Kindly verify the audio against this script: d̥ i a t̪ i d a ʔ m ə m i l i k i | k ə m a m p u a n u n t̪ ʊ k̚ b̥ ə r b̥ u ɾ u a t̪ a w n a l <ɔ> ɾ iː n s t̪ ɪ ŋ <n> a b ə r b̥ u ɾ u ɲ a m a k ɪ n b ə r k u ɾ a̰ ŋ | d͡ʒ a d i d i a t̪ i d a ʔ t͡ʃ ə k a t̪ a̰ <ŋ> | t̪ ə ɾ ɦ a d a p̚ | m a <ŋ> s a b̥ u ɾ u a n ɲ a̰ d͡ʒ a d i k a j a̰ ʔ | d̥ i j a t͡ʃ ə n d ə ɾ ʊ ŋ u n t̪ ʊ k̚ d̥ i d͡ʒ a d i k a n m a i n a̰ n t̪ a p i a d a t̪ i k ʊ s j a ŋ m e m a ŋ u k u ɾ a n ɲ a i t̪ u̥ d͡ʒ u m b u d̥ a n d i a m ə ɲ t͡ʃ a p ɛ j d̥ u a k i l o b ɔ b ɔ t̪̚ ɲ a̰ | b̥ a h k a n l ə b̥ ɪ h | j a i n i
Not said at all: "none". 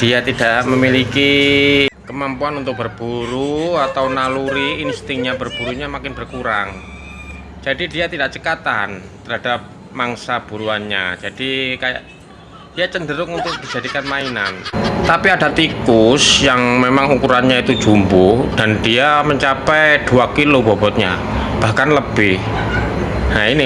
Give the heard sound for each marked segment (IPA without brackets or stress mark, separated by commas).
u, ɲ, n, ŋ